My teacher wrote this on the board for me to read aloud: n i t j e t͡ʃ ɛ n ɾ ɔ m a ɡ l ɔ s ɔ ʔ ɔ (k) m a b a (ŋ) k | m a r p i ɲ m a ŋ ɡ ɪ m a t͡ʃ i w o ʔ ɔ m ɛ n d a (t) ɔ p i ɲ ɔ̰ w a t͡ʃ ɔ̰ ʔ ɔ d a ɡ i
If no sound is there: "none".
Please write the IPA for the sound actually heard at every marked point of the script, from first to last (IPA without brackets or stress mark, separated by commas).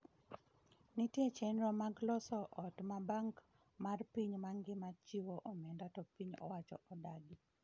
t, ŋ, t